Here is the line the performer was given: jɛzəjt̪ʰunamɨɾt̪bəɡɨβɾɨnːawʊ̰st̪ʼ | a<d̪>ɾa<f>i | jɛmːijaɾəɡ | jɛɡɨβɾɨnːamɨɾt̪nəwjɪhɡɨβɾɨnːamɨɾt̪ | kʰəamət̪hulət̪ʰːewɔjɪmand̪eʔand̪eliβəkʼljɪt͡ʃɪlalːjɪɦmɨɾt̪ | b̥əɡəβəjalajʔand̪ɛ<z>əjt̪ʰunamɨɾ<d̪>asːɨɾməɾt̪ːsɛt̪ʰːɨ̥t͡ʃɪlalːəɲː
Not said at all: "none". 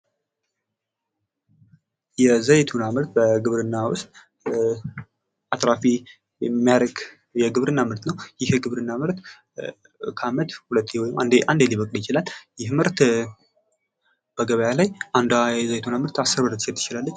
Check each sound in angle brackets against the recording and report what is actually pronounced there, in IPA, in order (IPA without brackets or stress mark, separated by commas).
t̪, f, z, t̪